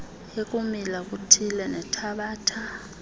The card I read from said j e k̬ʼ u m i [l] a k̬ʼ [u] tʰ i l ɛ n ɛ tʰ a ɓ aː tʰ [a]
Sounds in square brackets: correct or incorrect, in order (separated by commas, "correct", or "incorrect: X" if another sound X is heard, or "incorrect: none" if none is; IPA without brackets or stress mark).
correct, correct, correct